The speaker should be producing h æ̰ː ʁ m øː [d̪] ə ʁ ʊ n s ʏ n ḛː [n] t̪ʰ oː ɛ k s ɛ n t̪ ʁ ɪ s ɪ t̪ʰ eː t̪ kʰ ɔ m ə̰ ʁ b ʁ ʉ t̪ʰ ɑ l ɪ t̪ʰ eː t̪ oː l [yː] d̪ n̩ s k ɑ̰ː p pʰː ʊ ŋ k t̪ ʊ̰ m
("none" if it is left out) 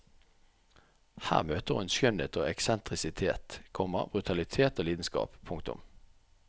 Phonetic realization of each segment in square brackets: t̪, none, iː

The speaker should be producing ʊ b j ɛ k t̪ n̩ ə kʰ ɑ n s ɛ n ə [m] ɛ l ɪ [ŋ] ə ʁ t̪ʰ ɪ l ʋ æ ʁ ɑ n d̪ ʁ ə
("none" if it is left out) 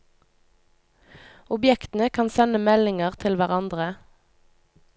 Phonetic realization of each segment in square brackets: m, ŋ

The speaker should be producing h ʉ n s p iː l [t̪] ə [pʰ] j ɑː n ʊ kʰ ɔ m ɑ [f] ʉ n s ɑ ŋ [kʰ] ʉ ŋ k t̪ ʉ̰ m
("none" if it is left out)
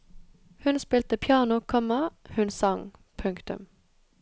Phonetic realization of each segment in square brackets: t̪, pʰ, h, pʰ

